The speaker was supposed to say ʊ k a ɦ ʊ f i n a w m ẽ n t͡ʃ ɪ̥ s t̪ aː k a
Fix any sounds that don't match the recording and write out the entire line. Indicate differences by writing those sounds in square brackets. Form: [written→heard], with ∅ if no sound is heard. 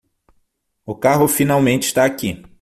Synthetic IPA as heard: ʊ k a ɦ ʊ f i n a w m ẽ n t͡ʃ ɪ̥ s t̪ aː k [a→i]